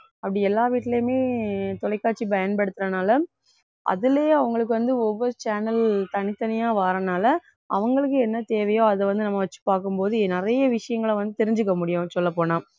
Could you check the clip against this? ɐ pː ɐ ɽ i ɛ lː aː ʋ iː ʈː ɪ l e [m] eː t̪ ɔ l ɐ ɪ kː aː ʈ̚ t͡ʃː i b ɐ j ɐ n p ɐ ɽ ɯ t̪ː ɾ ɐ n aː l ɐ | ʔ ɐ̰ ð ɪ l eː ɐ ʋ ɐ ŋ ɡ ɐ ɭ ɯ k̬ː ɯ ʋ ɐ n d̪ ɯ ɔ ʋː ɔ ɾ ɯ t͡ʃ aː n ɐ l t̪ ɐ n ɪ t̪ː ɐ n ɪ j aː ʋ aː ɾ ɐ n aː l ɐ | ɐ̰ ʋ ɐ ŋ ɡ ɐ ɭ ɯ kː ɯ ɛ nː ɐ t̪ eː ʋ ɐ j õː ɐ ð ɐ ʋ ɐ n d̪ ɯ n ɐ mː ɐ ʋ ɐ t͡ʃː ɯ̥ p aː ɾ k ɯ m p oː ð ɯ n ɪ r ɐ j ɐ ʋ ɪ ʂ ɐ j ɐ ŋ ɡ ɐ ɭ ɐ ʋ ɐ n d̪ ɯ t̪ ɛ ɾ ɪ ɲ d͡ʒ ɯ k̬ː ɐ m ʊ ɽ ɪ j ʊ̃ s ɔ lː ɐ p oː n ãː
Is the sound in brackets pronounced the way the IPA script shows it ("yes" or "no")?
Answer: yes